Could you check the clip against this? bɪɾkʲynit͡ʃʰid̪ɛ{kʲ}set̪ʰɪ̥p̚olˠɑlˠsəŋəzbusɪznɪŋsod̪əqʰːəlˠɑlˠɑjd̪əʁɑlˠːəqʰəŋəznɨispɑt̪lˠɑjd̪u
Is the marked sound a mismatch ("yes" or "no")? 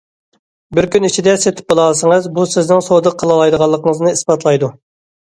yes